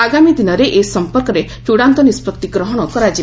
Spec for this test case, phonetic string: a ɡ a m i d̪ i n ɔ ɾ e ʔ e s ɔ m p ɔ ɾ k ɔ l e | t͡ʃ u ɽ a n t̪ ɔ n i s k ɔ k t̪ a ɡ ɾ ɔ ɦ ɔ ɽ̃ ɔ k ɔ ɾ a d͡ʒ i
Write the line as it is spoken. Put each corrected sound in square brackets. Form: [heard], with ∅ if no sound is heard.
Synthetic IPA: a ɡ a m i d̪ i n ɔ ɾ e ʔ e s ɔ m p ɔ ɾ k ɔ [ɾ] e | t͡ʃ u ɽ a n t̪ ɔ n i s [p] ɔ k t̪ [i] ɡ ɾ ɔ ɦ ɔ ɽ̃ ɔ k ɔ ɾ a d͡ʒ i